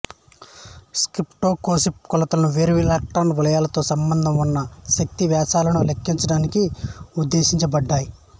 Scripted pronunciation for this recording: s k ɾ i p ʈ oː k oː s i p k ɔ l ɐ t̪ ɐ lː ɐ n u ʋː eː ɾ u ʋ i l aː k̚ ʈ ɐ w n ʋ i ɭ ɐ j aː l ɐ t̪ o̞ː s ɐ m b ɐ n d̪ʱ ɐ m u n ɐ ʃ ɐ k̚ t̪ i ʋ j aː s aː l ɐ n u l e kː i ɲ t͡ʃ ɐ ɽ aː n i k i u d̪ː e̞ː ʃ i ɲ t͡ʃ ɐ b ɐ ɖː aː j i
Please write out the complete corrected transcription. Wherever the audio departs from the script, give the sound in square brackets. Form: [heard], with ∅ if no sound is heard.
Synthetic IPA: s k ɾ i p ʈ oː k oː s i p k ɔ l ɐ t̪ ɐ [l] ɐ n u [ʋ] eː ɾ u ʋ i l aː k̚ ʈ ɐ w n ʋ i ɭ ɐ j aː l ɐ t̪ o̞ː s ɐ m b ɐ n d̪ʱ ɐ m u [nː] ɐ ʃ ɐ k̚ t̪ i ʋ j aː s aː l ɐ n u l e kː i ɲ t͡ʃ ɐ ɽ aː n i k i u d̪ː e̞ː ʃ i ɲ t͡ʃ ɐ b ɐ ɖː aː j i

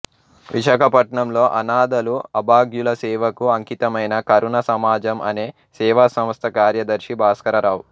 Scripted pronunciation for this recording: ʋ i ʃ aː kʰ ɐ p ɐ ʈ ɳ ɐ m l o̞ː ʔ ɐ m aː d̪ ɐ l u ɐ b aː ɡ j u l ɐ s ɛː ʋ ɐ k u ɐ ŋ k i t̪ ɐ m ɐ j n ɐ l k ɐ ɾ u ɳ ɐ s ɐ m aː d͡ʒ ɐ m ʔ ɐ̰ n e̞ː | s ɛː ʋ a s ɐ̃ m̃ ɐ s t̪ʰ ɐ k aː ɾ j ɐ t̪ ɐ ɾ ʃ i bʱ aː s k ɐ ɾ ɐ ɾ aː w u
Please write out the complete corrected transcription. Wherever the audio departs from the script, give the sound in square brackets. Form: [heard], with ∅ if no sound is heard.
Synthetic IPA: ʋ i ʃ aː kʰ ɐ p ɐ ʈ ɳ ɐ m l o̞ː ʔ ɐ [n] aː d̪ ɐ l u ɐ b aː ɡ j u l ɐ s ɛː ʋ ɐ k u ɐ ŋ k i t̪ ɐ m ɐ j n ɐ [∅] k ɐ ɾ u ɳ ɐ s ɐ m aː d͡ʒ ɐ m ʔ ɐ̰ n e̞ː | s ɛː ʋ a s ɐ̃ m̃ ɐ s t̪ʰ ɐ k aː ɾ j ɐ [d̪] ɐ ɾ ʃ i bʱ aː s k ɐ ɾ ɐ ɾ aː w u

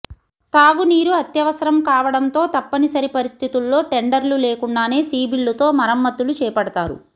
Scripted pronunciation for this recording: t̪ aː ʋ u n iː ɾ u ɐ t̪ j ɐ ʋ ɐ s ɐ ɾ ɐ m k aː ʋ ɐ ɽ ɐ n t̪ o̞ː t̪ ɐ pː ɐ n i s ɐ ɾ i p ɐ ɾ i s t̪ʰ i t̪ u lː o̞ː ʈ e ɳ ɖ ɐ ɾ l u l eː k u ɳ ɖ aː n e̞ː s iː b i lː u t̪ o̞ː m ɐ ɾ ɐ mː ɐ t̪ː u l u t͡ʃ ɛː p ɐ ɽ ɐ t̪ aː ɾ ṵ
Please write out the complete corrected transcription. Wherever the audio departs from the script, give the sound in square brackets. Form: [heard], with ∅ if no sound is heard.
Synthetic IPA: t̪ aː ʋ u n iː ɾ u ɐ t̪ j ɐ ʋ ɐ s ɐ ɾ ɐ m k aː ʋ ɐ ɽ ɐ n t̪ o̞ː t̪ ɐ pː ɐ n i s ɐ ɾ i p ɐ ɾ i s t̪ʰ i t̪ u lː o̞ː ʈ e ɳ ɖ ɐ ɾ l u l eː k u ɳ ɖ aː n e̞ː s iː b i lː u t̪ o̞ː m ɐ ɾ ɐ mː ɐ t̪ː u l u t͡ʃ ɛː p ɐ ɽ ɐ t̪ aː ɾ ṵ

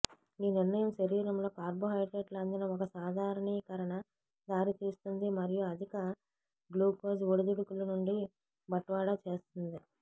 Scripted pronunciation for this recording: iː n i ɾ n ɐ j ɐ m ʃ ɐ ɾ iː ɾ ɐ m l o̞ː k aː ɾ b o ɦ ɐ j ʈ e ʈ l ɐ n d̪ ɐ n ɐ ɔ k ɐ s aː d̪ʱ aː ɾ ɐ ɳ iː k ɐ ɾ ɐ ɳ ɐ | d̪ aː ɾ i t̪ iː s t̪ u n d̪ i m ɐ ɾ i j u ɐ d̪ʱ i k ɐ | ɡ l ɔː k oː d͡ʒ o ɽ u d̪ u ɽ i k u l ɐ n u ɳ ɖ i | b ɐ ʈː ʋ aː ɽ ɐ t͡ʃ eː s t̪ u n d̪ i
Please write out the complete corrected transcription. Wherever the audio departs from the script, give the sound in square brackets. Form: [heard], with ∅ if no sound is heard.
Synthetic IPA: iː n i ɾ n ɐ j ɐ m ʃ ɐ ɾ iː ɾ ɐ m l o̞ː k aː ɾ b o ɦ ɐ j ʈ e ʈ l ɐ n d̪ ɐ n ɐ ɔ k ɐ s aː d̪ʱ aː ɾ ɐ ɳ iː k ɐ ɾ ɐ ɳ ɐ | d̪ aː ɾ i t̪ iː s t̪ u n d̪ i m ɐ ɾ i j u ɐ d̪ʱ i k ɐ | ɡ l [uː] k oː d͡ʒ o ɽ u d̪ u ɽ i k u l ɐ n u ɳ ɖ i | b ɐ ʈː ʋ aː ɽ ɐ t͡ʃ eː s t̪ u n d̪ i

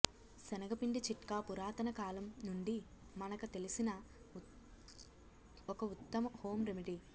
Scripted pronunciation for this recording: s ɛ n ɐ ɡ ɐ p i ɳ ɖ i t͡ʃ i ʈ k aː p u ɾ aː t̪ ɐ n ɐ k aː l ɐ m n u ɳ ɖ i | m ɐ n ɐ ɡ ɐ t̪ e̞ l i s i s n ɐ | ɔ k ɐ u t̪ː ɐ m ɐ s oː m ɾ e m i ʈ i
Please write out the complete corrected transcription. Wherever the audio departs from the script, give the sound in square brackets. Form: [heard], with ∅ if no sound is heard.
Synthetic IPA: s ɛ n ɐ ɡ ɐ p i ɳ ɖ i t͡ʃ i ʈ k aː p u ɾ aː t̪ ɐ n ɐ k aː l ɐ m n u ɳ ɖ i | m ɐ n ɐ [k] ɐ t̪ e̞ l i s i [∅] n ɐ | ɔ k ɐ u t̪ː ɐ m ɐ [h] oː m ɾ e m i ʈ i

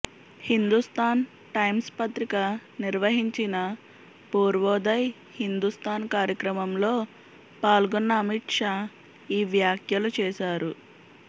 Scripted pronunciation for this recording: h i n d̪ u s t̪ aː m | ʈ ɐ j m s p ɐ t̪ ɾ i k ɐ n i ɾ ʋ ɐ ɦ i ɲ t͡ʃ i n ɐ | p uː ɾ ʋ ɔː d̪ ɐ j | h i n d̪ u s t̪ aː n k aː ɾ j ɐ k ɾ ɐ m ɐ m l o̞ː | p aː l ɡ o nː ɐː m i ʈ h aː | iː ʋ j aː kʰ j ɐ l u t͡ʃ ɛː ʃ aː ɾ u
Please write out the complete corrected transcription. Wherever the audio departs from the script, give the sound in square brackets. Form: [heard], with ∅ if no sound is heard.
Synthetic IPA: h i n d̪ u s t̪ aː [n] | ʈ ɐ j m s p ɐ t̪ ɾ i k ɐ n i ɾ ʋ ɐ ɦ i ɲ t͡ʃ i n ɐ | p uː ɾ ʋ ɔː d̪ ɐ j | h i n d̪ u s t̪ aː n k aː ɾ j ɐ k ɾ ɐ m ɐ m l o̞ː | p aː l ɡ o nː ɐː m i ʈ [ʂ] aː | iː ʋ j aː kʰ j ɐ l u t͡ʃ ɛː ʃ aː ɾ u

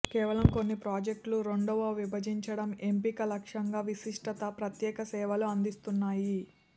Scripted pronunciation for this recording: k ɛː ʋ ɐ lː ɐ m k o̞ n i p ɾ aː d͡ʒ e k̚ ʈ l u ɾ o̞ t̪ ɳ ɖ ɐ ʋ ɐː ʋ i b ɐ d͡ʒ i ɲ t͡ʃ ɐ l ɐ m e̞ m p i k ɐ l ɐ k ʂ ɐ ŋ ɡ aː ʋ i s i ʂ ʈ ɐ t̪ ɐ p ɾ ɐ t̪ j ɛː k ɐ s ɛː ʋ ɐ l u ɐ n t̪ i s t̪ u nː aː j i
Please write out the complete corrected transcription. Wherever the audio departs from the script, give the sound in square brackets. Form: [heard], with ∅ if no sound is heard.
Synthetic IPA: k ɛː ʋ ɐ [l] ɐ m k o̞ [nː] i p ɾ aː d͡ʒ e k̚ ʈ l u ɾ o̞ [∅] ɳ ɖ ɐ ʋ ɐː ʋ i b ɐ d͡ʒ i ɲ t͡ʃ ɐ [ɽ] ɐ m e̞ m p i k ɐ l ɐ k ʂ ɐ ŋ ɡ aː ʋ i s i ʂ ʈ ɐ t̪ ɐ p ɾ ɐ t̪ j ɛː k ɐ s ɛː ʋ ɐ l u ɐ n [d̪] i s t̪ u nː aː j i

